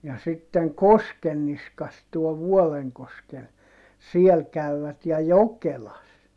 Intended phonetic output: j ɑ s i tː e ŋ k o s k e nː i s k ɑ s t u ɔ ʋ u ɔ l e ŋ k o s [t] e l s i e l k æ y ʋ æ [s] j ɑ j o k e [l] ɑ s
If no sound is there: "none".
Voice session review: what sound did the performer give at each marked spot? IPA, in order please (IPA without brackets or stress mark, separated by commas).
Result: k, t, l